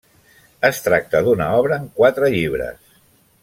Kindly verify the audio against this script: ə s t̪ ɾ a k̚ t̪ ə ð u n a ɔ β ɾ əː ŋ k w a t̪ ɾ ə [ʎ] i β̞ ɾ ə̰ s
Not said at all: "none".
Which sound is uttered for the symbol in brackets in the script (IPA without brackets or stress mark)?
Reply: ʎ